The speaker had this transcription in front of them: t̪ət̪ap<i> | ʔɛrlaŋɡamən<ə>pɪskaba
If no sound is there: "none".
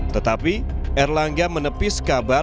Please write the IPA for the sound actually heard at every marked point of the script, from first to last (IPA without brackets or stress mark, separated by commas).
i, ə